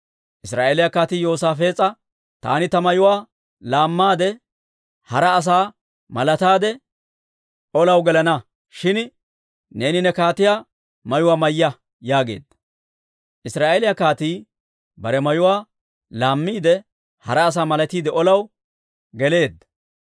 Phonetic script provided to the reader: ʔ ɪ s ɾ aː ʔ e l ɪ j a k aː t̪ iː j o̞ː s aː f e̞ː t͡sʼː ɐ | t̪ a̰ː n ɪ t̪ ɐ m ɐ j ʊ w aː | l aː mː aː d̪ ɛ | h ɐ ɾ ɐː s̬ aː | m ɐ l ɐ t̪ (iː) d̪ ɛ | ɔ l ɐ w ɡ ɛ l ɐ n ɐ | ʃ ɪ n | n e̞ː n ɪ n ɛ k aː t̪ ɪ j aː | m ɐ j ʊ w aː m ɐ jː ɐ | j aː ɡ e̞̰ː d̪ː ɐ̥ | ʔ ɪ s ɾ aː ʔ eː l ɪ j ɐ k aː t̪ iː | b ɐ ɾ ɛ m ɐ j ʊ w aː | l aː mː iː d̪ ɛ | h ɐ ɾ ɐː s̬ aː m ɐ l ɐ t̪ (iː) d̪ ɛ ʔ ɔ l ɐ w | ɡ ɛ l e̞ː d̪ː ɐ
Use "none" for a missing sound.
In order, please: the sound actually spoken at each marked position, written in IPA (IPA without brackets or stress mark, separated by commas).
aː, iː